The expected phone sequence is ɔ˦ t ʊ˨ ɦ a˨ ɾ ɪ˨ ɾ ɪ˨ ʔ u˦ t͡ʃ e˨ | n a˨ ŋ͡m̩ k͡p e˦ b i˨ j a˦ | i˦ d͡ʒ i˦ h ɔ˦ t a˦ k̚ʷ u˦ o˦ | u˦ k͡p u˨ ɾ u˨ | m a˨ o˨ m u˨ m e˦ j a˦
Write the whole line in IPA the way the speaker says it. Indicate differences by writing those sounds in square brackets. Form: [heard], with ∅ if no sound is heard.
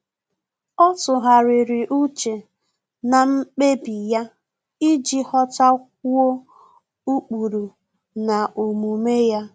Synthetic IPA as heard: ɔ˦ t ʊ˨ ɦ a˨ ɾ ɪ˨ ɾ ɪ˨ ʔ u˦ t͡ʃ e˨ | n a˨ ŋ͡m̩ k͡p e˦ b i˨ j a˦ | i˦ d͡ʒ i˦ h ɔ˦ t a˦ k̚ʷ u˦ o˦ | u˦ k͡p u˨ ɾ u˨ | [n] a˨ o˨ m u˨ m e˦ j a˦